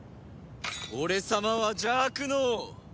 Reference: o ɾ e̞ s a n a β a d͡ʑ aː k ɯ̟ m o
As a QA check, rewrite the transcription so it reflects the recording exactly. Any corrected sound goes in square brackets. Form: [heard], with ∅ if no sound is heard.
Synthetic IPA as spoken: o ɾ e̞ s a [m] a β a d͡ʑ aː k ɯ̟ [n] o